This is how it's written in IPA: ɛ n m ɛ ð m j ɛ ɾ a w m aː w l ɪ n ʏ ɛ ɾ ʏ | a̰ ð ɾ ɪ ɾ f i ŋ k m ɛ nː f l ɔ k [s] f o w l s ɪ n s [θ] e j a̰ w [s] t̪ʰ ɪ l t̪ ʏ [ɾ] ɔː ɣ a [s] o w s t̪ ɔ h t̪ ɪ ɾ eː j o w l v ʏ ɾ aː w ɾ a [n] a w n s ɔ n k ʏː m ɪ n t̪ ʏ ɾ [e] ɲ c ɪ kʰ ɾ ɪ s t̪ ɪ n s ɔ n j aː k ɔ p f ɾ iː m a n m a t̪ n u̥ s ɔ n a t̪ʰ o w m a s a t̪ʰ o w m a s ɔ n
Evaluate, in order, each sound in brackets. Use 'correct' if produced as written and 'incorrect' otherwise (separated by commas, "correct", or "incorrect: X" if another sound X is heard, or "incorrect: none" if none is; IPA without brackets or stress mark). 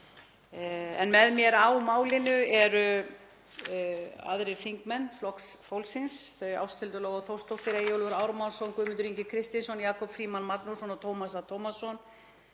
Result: correct, correct, correct, incorrect: l, incorrect: θ, incorrect: m, incorrect: i